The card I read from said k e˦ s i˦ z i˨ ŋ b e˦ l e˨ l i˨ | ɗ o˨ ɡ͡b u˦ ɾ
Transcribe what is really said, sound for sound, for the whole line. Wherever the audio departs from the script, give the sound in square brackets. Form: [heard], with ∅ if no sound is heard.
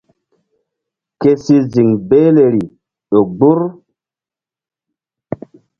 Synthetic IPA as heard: k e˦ s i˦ z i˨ ŋ b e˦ l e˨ [ɾ] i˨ | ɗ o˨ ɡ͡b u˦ ɾ